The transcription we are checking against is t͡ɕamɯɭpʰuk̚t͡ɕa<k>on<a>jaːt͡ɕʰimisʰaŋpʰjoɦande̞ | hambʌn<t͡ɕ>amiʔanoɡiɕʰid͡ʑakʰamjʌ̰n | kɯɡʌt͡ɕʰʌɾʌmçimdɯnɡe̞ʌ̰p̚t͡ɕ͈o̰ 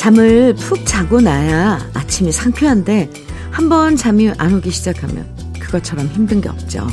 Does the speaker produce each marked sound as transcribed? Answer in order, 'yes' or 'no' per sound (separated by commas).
no, yes, yes